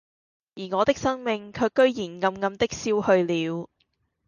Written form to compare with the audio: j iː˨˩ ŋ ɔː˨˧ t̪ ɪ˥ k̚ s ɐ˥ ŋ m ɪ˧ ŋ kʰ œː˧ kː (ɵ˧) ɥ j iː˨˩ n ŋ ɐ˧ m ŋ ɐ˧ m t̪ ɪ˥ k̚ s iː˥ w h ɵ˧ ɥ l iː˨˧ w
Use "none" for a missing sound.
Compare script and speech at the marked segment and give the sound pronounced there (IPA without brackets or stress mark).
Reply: ɵ˥